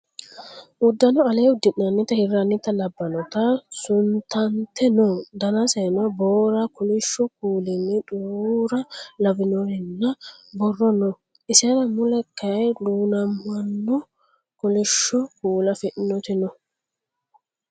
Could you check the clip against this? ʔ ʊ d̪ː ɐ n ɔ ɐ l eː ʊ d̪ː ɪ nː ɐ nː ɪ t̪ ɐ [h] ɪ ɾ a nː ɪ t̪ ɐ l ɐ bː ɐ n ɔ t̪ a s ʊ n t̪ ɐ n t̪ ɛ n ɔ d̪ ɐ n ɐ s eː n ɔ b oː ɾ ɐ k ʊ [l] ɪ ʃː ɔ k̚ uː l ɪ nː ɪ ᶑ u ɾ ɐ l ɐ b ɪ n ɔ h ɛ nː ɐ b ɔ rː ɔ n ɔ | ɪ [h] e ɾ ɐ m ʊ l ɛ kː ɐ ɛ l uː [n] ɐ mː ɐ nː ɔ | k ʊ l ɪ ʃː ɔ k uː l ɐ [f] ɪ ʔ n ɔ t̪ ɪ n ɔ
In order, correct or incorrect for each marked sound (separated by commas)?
correct, correct, incorrect, correct, correct